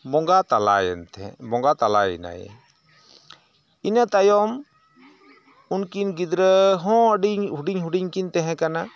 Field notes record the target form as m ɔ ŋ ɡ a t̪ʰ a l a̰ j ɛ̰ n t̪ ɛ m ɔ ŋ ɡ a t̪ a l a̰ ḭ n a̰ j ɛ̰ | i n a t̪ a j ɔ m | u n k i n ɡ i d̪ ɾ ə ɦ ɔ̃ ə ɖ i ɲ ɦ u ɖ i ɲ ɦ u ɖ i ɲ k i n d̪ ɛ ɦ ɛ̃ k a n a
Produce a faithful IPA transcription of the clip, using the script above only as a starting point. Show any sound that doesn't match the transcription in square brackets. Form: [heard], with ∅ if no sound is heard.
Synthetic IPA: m ɔ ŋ ɡ a [t̪] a l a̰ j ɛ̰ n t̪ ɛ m ɔ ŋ ɡ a t̪ a l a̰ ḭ n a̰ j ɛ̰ | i n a t̪ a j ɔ m | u n k i n ɡ i d̪ ɾ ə ɦ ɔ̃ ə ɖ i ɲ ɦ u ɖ i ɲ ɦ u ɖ i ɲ k i n [t̪] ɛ ɦ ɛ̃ k a n a